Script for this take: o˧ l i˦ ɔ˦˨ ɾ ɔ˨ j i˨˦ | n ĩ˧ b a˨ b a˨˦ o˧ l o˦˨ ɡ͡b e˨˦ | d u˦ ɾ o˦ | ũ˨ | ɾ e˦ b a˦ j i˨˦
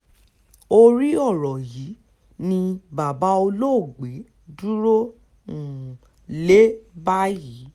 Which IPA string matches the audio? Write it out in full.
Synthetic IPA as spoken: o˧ ɾ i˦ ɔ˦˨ ɾ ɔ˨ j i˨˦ | n ĩ˧ b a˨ b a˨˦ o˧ l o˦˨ ɡ͡b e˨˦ | d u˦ ɾ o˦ | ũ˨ | l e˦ b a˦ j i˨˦

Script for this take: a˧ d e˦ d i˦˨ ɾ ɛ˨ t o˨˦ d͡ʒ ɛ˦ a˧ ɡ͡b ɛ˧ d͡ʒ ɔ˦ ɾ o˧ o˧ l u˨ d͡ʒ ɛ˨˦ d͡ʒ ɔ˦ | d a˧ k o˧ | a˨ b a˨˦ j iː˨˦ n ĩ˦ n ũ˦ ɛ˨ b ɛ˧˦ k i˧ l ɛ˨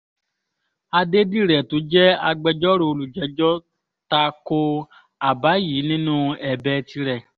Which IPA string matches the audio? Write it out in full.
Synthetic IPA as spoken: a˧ d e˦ d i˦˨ ɾ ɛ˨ t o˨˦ d͡ʒ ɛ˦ a˧ ɡ͡b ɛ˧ d͡ʒ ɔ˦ ɾ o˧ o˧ l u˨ d͡ʒ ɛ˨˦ d͡ʒ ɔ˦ | t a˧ k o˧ | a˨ b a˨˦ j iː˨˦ n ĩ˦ n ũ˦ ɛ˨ b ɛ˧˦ t i˧ ɾ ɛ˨

